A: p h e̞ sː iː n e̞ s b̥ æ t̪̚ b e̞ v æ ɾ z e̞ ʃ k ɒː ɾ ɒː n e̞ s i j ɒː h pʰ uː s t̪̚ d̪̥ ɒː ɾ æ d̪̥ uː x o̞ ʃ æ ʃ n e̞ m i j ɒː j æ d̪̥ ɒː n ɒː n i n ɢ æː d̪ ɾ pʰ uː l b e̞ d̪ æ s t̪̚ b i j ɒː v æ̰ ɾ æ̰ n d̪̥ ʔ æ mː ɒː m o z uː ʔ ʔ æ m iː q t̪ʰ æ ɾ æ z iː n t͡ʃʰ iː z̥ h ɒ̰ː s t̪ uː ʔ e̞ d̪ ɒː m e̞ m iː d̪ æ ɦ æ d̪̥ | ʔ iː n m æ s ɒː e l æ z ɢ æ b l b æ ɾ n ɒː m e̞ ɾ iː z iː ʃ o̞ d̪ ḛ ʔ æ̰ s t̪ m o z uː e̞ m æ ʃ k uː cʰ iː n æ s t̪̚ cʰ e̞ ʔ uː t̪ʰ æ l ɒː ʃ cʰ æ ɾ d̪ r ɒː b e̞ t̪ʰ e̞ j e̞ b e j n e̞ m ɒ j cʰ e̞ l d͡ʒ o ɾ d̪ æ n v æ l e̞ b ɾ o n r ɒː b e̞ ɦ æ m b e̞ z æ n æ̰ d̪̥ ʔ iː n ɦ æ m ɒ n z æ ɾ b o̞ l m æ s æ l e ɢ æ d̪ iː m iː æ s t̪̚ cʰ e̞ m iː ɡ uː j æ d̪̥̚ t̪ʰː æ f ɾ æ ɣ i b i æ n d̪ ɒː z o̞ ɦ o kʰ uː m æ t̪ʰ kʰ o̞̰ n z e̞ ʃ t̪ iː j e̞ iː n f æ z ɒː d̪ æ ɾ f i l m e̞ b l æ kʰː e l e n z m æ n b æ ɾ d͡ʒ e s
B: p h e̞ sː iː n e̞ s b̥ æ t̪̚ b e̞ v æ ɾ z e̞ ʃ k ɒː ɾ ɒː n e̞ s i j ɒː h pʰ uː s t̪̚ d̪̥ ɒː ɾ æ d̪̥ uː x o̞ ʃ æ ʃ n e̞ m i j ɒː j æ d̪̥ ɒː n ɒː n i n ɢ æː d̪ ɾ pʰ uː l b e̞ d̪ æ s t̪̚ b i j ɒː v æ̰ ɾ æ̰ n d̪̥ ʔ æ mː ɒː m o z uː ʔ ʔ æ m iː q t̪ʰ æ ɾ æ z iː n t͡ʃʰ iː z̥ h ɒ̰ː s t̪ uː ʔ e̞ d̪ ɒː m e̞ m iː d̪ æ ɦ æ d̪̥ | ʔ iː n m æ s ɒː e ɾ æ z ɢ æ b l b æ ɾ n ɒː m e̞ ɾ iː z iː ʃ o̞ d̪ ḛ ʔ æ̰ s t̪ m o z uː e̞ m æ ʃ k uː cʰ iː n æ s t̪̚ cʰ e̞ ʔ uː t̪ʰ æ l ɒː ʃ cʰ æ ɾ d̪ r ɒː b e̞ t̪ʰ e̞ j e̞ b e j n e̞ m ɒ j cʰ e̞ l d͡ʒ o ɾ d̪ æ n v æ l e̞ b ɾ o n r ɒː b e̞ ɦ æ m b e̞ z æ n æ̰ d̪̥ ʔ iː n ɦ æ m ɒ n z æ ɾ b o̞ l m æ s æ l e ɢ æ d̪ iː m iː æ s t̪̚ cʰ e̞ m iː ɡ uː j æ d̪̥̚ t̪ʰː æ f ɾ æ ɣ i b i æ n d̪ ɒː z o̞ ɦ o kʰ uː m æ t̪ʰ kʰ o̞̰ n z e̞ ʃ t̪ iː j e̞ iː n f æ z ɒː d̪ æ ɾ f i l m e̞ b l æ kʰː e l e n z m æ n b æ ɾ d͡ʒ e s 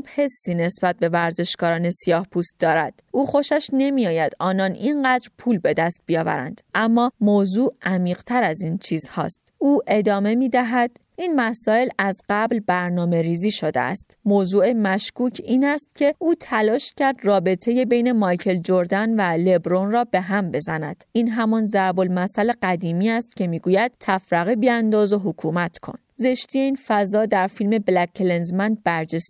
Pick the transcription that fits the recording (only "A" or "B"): A